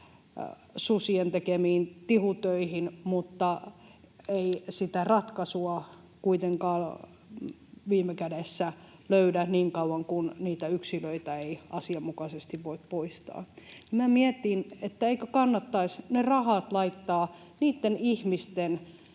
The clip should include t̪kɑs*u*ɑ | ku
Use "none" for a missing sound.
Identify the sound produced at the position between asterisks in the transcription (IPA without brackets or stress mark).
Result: u